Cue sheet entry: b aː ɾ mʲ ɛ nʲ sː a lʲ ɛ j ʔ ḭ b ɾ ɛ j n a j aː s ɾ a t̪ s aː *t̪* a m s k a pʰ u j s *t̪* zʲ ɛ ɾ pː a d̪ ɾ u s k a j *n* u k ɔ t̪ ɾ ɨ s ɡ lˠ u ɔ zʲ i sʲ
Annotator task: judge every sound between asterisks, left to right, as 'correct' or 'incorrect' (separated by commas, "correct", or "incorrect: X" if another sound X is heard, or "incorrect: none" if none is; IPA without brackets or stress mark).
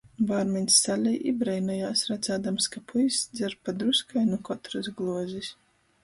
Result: incorrect: d̪, incorrect: d̪, correct